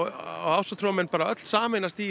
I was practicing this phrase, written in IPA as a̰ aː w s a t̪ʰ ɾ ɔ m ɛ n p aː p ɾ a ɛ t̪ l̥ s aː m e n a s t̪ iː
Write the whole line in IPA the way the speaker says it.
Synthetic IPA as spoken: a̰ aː w s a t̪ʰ ɾ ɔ m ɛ n p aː ɾ a œ t̪ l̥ s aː m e n a s t̪ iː